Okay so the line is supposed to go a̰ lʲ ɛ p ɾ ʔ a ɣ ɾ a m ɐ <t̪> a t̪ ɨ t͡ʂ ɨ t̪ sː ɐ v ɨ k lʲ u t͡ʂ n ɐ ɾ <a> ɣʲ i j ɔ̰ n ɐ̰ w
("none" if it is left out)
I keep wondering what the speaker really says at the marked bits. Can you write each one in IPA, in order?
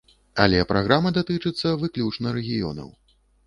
d̪, ɛ

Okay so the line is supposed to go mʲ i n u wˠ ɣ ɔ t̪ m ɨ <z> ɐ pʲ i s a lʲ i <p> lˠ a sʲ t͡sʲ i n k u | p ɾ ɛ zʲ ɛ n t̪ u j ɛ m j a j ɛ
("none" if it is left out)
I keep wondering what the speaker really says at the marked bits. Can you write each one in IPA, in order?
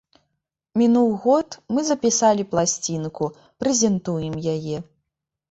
z, p

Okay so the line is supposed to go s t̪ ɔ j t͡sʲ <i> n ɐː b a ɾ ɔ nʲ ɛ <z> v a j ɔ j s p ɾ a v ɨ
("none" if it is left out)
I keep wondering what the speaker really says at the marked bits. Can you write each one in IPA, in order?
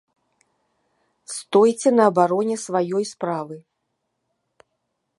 ɛ, s

